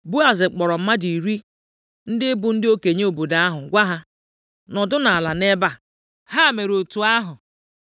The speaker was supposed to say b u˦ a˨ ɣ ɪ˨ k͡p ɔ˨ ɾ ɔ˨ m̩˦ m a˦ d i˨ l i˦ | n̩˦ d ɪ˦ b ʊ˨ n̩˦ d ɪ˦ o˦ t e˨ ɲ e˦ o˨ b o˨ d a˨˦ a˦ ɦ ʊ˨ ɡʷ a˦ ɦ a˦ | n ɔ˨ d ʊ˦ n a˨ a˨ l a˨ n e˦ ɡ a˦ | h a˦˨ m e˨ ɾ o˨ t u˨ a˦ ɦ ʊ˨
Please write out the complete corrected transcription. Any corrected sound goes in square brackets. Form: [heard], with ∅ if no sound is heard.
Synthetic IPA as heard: b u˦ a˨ [z] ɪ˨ k͡p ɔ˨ ɾ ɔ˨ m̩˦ m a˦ d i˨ [ɾ] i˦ | n̩˦ d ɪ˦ b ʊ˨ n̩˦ d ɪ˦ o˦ [k] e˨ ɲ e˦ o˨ b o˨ d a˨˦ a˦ ɦ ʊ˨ ɡʷ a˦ ɦ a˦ | n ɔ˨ d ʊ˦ n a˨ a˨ l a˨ n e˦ [b] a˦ | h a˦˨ m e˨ ɾ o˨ t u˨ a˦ ɦ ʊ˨